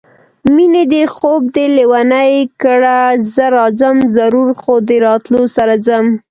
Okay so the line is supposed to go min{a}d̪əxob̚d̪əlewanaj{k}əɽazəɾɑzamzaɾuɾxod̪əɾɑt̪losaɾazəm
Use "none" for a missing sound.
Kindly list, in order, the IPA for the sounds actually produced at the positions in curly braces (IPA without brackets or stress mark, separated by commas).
e, k